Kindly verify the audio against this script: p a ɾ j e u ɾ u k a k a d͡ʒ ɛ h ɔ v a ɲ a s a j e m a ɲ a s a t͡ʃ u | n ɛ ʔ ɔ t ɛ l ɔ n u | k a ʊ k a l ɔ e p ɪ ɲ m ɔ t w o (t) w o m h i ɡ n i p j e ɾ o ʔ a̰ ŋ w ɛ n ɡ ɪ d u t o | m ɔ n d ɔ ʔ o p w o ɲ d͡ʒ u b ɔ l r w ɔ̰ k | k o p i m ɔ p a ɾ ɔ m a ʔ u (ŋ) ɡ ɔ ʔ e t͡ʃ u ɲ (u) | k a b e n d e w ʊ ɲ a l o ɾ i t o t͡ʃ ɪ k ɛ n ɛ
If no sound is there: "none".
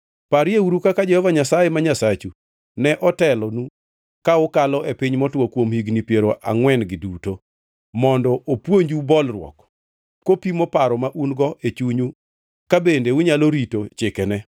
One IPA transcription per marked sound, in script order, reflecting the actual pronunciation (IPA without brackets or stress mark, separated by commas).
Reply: k, n, u